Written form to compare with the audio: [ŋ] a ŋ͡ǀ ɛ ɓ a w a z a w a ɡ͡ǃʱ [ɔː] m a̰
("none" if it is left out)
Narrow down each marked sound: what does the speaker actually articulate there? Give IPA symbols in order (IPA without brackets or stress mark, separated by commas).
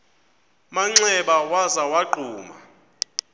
m, uː